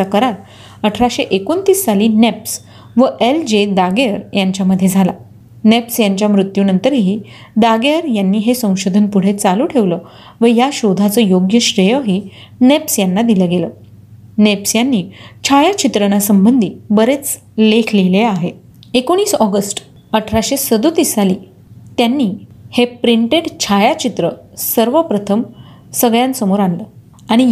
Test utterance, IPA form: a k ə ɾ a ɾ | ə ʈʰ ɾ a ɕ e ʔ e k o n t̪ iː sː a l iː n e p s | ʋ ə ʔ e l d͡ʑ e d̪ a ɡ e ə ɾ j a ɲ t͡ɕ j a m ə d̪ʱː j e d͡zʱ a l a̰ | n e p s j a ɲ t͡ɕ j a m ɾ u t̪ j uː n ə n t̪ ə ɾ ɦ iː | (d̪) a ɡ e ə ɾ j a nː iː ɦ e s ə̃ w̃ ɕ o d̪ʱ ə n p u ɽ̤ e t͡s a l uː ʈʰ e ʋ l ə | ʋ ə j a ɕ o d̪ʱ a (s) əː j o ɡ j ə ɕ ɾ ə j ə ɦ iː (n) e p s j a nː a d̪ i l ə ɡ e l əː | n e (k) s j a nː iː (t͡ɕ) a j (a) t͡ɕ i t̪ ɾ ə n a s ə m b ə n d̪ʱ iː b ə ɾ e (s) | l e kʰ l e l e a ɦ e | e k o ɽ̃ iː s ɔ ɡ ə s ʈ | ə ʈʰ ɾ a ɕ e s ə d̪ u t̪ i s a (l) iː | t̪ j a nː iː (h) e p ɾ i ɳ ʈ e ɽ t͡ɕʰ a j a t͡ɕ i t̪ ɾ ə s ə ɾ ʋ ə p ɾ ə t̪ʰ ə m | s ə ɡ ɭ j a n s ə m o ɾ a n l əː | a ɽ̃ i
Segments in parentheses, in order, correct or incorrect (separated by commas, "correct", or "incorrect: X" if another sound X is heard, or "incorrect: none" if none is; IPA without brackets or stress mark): correct, incorrect: t͡s, correct, incorrect: p, incorrect: t͡ɕʰ, correct, incorrect: t͡s, correct, correct